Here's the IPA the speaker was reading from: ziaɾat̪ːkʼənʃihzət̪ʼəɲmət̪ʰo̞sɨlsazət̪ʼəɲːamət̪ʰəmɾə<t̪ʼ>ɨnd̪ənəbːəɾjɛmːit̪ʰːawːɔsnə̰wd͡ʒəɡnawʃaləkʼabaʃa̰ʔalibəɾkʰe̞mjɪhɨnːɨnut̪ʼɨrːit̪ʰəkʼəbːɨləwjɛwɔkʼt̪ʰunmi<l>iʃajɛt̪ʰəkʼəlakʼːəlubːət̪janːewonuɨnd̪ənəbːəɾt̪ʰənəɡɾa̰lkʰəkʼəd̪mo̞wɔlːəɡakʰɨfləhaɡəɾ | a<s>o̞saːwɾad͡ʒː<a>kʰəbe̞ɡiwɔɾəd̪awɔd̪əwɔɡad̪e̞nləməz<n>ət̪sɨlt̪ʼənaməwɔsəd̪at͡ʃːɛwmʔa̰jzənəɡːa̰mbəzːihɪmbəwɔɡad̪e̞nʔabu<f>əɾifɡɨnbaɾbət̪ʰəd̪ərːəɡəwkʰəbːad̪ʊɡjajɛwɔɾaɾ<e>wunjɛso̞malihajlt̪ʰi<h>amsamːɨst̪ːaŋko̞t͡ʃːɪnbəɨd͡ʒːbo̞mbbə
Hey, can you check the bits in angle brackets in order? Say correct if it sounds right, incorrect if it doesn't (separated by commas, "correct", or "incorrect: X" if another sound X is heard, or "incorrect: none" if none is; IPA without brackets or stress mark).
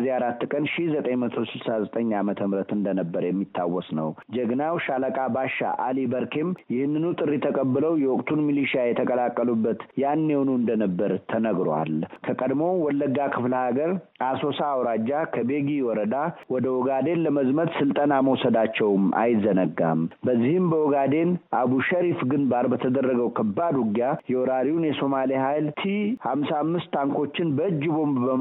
incorrect: t̪, correct, correct, correct, incorrect: m, incorrect: ʃ, incorrect: i, correct